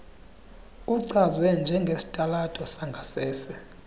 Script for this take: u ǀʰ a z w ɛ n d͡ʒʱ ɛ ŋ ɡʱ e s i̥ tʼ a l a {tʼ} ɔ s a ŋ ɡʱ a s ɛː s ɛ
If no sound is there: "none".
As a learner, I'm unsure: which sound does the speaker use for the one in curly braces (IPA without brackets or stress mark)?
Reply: tʼ